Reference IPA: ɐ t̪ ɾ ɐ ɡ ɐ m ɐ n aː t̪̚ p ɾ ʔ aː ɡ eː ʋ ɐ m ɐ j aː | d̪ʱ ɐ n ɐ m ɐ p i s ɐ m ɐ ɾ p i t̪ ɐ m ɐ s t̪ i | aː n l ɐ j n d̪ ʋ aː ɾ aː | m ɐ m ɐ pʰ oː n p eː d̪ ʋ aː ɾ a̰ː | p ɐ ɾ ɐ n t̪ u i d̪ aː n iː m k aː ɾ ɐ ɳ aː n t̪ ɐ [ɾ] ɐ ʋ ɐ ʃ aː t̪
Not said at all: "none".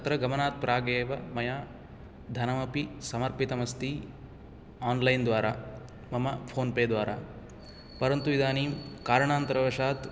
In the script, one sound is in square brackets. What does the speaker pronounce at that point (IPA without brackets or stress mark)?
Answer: ɾ